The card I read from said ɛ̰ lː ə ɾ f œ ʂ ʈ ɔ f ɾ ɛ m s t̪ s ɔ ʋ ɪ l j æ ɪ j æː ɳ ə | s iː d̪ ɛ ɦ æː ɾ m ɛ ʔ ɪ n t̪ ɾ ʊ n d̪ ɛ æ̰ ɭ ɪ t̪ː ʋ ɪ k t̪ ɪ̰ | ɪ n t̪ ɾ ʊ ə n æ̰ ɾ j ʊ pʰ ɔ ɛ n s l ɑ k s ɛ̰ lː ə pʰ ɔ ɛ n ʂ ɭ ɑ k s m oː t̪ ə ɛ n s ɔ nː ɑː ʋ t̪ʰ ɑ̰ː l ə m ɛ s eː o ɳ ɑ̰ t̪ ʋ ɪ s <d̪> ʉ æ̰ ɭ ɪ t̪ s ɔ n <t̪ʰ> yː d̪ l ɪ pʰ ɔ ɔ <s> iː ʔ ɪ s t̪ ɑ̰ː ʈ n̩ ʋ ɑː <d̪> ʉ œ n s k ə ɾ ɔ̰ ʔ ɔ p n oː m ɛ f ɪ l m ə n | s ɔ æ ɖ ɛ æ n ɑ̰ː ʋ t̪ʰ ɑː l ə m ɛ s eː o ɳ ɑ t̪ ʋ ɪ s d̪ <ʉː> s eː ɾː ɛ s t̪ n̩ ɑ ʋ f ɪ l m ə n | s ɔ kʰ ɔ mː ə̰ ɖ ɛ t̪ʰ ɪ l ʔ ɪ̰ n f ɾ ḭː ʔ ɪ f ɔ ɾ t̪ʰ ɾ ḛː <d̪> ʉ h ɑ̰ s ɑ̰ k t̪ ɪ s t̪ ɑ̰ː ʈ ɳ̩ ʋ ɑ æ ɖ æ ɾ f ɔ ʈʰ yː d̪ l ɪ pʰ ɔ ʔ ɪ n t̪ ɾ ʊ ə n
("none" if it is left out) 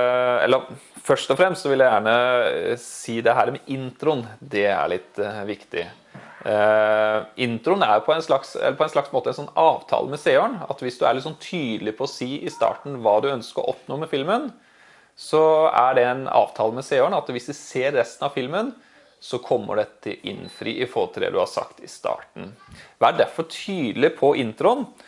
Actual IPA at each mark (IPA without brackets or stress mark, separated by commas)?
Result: d̪, t̪ʰ, s, d̪, ʉ, d̪